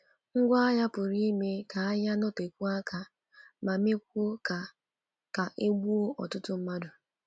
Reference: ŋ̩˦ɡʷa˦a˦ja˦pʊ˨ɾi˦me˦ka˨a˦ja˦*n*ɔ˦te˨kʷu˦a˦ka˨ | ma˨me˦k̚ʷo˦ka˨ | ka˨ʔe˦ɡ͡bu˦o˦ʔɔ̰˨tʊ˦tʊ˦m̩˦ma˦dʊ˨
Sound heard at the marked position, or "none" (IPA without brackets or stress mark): n